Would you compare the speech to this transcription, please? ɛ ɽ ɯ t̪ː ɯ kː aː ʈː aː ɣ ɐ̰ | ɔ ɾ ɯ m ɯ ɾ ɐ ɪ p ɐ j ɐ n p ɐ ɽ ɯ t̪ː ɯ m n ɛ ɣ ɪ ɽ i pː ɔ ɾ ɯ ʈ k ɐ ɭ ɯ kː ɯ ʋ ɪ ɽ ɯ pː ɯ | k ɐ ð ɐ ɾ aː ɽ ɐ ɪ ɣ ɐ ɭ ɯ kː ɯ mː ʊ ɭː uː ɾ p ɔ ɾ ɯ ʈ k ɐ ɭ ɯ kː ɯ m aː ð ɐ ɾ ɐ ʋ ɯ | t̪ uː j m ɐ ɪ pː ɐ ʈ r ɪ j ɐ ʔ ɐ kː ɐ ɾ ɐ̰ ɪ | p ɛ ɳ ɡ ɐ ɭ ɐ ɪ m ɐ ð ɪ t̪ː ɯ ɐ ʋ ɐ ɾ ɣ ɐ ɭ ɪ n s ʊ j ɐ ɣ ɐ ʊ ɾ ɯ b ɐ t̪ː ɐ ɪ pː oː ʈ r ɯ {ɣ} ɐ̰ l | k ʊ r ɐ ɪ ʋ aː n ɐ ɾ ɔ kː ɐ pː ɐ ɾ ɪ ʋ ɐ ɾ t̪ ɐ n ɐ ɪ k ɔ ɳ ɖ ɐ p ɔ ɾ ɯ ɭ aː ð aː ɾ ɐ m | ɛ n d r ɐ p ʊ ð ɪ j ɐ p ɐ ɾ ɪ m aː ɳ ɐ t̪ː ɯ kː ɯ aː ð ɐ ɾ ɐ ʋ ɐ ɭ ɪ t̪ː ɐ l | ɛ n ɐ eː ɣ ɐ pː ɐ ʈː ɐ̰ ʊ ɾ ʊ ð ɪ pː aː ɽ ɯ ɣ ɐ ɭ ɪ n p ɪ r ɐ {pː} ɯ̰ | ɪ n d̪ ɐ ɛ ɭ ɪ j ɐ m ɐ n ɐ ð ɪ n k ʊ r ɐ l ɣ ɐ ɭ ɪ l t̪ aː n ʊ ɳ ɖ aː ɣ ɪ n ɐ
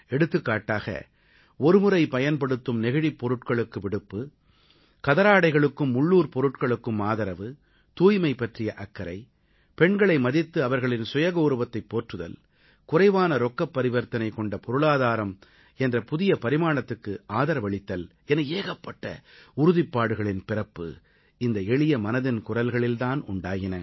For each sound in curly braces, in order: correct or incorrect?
incorrect: ð, correct

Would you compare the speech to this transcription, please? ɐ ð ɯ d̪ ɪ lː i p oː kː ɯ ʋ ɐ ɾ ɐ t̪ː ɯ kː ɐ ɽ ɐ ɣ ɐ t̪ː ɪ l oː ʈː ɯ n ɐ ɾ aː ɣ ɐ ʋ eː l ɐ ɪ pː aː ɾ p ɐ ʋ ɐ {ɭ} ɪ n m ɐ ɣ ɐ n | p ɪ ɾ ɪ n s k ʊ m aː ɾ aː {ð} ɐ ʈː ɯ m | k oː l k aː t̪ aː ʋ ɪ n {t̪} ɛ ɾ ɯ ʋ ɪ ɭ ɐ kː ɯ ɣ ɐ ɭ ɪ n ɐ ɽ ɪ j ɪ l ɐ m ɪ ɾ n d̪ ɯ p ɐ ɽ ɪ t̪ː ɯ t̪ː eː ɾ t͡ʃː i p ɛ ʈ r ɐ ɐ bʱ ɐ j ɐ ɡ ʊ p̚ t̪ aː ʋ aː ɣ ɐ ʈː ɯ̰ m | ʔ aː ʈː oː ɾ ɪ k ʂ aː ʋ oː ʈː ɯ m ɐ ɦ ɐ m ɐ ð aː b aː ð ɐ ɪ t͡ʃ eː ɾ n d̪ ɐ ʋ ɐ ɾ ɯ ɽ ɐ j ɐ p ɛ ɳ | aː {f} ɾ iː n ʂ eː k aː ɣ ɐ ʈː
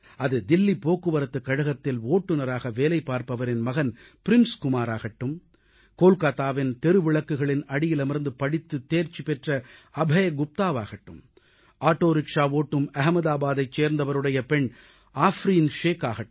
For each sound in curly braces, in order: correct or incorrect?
incorrect: ɾ, incorrect: ɣ, correct, correct

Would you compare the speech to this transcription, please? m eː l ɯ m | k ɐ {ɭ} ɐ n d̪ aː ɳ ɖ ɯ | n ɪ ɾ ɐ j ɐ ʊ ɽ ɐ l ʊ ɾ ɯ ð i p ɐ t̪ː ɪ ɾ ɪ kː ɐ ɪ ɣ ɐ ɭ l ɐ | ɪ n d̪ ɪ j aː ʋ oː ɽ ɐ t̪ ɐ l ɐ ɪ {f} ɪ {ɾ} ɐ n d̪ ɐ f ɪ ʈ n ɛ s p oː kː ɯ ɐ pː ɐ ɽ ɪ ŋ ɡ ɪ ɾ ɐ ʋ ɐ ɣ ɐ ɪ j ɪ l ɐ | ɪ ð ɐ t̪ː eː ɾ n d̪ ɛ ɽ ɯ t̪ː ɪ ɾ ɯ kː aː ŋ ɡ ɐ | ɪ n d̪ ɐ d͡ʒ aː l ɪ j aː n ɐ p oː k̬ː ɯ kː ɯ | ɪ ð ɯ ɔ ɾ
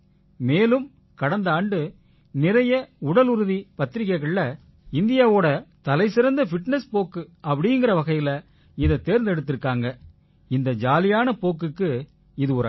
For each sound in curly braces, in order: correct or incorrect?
incorrect: ɽ, incorrect: s, correct

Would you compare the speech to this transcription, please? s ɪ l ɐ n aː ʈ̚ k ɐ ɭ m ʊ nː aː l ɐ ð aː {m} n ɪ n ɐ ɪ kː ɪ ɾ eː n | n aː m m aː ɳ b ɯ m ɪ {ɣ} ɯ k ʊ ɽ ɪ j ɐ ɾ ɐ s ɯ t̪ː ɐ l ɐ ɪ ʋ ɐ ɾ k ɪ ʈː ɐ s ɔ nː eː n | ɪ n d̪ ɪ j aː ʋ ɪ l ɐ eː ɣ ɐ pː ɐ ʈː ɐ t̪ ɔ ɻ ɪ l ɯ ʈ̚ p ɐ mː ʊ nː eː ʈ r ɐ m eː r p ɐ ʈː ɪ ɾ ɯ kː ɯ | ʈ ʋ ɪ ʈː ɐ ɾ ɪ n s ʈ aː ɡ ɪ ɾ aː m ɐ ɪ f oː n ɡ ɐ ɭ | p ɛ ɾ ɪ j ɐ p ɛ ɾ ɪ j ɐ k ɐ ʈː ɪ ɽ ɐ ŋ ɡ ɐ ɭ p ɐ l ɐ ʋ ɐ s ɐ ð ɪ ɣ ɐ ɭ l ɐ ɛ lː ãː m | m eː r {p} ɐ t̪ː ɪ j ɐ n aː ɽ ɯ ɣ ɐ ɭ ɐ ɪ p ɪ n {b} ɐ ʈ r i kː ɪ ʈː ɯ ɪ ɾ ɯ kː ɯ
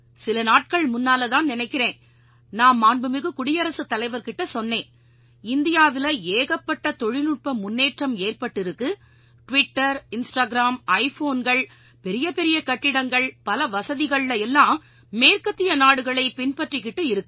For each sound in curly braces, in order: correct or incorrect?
incorrect: n, correct, incorrect: k, incorrect: p

